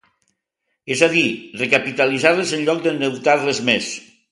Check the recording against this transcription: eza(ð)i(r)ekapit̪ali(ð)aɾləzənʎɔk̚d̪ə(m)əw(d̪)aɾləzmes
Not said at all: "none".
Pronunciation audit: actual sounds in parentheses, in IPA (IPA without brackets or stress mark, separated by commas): ð, r, z, n, t̪